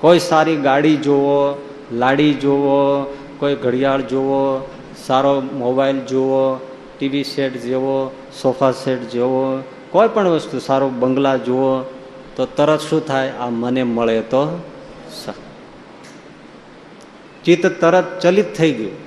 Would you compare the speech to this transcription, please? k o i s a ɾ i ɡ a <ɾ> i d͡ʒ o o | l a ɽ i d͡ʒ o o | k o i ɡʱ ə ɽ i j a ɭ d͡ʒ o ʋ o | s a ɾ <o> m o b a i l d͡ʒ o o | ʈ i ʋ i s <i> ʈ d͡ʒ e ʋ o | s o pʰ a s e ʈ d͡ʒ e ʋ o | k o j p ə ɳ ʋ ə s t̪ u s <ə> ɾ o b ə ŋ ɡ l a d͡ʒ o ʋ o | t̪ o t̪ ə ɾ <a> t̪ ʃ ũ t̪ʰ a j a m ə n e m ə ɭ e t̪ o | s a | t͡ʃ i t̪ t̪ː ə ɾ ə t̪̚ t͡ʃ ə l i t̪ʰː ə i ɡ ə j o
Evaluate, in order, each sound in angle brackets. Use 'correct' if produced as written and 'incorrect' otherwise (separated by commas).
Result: incorrect, correct, incorrect, incorrect, incorrect